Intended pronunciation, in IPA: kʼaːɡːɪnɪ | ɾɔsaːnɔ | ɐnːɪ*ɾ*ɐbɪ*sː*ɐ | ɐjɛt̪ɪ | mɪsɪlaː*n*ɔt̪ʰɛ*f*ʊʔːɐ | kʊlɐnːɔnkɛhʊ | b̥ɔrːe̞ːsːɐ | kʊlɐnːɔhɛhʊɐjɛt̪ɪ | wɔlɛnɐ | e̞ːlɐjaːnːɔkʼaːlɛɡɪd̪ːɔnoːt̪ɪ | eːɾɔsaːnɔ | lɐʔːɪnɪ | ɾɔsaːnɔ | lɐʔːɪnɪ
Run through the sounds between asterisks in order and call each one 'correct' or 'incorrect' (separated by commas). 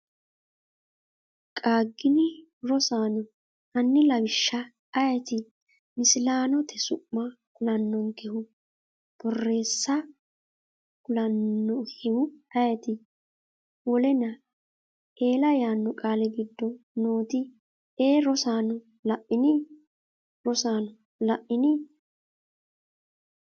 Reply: incorrect, incorrect, correct, incorrect